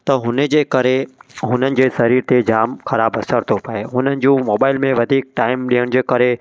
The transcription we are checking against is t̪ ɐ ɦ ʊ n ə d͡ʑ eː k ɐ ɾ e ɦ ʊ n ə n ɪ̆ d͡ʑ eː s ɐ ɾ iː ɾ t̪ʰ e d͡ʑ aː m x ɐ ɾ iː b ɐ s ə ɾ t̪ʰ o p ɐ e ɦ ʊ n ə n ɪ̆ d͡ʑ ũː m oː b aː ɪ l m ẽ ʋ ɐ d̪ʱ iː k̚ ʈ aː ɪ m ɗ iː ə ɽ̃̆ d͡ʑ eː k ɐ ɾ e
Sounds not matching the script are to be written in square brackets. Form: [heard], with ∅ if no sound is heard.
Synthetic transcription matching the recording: t̪ ɐ ɦ ʊ n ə d͡ʑ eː k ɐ ɾ e ɦ ʊ n ə n ɪ̆ d͡ʑ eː s ɐ ɾ iː ɾ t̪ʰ e d͡ʑ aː m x ɐ ɾ [aː] b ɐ s ə ɾ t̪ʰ o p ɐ e ɦ ʊ n ə n ɪ̆ d͡ʑ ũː m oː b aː ɪ l m ẽ ʋ ɐ d̪ʱ iː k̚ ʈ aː ɪ m ɗ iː ə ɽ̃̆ d͡ʑ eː k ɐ ɾ e